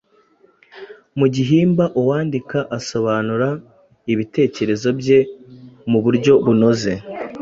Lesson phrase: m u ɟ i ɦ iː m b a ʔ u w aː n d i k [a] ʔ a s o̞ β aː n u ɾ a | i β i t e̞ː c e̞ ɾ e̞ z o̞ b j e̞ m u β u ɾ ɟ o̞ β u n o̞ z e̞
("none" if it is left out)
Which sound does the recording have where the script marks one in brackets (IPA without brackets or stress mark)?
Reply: a